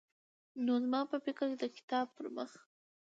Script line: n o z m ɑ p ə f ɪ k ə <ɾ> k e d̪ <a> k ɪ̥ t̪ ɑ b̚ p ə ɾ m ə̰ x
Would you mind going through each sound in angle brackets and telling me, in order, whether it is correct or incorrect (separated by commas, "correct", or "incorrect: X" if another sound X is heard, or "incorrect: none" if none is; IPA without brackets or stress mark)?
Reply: correct, incorrect: ə